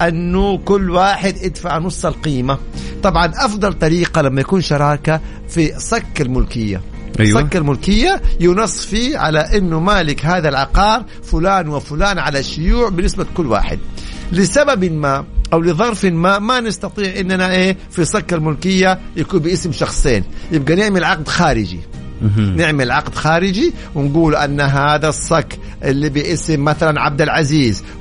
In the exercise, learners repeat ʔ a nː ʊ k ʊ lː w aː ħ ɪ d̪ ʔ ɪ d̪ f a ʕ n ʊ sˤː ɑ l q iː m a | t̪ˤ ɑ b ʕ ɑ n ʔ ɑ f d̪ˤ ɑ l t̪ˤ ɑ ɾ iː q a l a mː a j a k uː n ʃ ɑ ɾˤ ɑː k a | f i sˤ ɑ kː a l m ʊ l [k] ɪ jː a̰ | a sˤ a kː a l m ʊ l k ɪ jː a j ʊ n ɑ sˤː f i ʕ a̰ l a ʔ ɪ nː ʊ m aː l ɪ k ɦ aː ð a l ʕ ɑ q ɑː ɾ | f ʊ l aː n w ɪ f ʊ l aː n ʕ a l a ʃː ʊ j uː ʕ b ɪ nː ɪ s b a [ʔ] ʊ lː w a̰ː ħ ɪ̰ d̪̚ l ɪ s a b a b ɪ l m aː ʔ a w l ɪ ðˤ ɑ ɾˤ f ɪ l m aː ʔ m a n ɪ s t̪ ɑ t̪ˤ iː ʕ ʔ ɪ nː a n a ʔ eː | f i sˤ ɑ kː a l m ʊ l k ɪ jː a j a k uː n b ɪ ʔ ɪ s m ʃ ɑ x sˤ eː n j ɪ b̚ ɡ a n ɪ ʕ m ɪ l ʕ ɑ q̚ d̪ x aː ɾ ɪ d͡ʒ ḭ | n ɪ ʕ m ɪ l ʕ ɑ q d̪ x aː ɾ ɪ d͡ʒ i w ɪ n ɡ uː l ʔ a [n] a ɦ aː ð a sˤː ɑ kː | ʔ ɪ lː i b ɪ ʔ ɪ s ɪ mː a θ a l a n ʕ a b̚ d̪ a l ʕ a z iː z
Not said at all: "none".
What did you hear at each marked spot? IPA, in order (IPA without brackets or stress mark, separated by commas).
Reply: k, k, nː